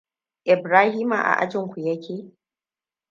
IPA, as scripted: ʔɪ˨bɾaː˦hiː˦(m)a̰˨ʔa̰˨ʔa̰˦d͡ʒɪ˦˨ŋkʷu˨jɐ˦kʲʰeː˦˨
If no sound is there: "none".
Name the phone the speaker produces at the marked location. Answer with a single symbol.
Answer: m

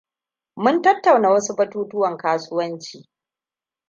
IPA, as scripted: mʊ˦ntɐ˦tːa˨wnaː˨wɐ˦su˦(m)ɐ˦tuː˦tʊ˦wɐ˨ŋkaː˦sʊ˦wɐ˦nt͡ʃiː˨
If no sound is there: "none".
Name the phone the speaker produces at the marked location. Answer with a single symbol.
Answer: b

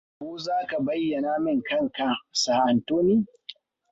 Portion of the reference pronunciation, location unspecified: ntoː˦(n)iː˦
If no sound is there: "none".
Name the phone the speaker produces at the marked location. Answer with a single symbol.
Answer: n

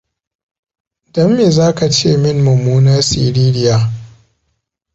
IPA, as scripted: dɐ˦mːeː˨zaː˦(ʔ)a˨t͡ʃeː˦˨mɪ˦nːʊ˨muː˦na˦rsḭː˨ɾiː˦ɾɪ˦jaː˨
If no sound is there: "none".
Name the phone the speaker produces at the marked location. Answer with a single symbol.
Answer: k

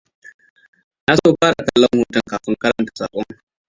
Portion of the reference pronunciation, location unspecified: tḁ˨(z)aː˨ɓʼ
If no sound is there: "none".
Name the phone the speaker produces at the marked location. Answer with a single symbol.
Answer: s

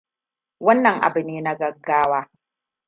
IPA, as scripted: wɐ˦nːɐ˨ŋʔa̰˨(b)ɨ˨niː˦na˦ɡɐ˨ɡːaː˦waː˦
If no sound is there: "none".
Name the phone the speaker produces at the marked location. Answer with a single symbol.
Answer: b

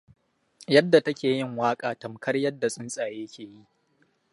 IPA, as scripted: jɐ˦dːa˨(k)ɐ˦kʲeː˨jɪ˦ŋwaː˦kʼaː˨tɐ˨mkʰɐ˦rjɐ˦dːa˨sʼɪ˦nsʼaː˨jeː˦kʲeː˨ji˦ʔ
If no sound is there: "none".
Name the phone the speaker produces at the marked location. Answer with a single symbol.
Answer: t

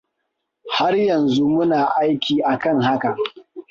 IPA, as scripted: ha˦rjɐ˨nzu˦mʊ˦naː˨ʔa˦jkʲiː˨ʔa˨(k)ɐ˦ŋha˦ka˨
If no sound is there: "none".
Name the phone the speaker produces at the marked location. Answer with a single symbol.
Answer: k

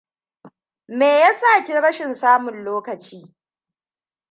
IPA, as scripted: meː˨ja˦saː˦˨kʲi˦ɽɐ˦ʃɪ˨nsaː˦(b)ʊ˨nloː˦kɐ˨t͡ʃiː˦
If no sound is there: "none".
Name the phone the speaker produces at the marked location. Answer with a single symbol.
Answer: m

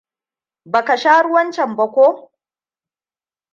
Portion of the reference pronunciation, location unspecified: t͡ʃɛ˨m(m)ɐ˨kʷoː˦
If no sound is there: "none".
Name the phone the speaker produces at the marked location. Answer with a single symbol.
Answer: b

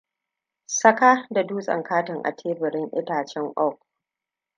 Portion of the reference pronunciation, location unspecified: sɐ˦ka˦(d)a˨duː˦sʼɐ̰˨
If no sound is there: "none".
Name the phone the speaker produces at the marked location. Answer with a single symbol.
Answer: d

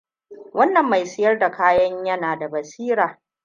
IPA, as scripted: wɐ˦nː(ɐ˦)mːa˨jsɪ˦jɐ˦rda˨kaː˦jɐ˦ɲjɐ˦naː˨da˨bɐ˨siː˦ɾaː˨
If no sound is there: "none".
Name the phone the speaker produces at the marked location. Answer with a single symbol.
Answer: ɐ˨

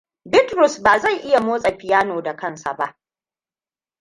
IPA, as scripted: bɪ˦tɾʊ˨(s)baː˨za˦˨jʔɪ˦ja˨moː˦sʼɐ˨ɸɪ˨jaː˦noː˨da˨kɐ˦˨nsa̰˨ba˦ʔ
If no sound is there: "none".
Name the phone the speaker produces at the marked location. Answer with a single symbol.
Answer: s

